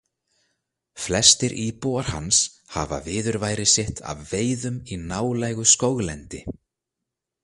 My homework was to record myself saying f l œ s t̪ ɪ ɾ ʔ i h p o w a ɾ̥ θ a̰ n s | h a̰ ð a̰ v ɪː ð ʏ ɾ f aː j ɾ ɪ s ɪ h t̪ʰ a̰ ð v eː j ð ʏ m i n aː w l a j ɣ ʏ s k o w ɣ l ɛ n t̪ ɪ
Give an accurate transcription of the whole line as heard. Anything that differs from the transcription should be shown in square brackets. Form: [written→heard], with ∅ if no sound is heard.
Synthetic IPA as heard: f l [œ→ɛ] s t̪ ɪ ɾ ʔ i [h→∅] p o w a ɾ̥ [θ→h] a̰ n s | h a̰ [ð→v] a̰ v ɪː ð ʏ ɾ [f→v] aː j ɾ ɪ s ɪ h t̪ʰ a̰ [ð→v] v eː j ð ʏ m i n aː w l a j ɣ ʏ s k o w ɣ l ɛ n t̪ ɪ